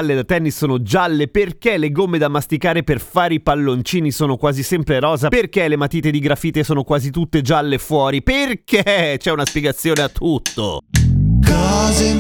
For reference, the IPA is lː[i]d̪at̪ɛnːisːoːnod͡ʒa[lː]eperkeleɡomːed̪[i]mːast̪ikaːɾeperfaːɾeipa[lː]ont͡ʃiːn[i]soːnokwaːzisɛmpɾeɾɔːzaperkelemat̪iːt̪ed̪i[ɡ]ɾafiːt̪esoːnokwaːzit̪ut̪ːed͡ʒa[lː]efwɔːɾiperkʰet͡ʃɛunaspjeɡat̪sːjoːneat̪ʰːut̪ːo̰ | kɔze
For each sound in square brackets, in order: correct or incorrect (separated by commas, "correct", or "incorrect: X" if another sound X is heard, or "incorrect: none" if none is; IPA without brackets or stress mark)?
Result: incorrect: e, correct, incorrect: a, correct, correct, correct, correct